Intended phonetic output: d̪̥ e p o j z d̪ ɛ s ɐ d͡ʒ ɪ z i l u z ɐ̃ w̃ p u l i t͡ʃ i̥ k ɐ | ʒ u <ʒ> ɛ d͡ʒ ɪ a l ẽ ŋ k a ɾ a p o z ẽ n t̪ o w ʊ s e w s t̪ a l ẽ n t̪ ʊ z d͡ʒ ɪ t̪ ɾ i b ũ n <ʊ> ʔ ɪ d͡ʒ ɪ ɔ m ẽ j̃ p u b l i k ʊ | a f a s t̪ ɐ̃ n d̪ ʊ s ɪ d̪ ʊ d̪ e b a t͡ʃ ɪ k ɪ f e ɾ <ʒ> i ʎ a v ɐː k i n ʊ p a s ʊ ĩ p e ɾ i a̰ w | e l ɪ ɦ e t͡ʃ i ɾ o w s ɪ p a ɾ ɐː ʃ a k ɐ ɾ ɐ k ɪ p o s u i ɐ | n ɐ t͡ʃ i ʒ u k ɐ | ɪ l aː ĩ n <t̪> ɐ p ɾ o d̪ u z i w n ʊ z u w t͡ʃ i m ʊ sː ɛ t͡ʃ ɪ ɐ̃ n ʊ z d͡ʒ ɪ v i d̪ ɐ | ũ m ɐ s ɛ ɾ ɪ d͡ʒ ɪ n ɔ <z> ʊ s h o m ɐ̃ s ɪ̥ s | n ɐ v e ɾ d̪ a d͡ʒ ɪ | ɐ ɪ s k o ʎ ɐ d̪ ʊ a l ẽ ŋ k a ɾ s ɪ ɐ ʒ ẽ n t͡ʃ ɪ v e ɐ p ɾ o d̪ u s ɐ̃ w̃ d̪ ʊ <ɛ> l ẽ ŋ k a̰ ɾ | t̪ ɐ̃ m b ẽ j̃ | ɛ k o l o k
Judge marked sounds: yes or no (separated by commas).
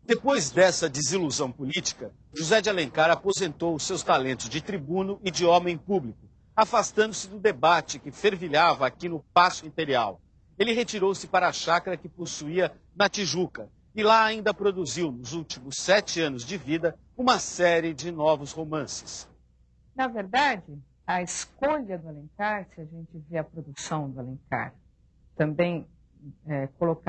no, yes, no, no, no, no